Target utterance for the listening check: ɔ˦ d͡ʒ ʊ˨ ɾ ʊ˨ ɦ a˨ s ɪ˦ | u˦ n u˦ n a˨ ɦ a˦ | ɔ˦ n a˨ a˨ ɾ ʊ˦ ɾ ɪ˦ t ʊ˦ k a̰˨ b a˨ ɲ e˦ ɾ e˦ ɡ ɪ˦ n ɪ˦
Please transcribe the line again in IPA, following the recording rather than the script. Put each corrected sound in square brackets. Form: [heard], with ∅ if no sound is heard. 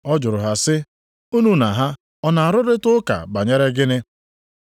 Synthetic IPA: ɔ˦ d͡ʒ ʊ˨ ɾ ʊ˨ ɦ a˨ s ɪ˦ | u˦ n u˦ n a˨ ɦ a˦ | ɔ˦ n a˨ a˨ ɾ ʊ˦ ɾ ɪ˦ t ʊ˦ k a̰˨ b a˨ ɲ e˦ ɾ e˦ ɡ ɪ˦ n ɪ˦